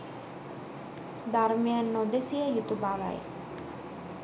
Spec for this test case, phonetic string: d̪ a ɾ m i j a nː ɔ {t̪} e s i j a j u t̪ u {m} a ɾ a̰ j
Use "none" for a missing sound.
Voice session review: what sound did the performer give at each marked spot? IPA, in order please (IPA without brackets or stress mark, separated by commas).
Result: d̪, b